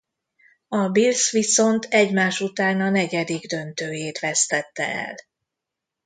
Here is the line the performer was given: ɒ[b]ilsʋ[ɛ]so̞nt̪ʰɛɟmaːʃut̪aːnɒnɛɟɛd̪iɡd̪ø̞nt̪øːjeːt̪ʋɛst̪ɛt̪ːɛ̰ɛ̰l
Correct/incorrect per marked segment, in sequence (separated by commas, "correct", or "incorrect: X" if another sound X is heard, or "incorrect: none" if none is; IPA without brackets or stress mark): correct, incorrect: i